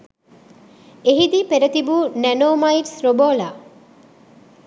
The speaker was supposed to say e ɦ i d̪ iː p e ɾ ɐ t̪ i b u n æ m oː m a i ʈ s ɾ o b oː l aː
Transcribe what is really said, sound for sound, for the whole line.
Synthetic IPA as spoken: e ɦ i d̪ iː p e ɾ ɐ t̪ i b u n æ n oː m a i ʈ s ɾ o b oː l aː